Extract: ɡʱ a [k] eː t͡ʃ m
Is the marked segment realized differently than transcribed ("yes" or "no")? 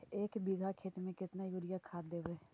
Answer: yes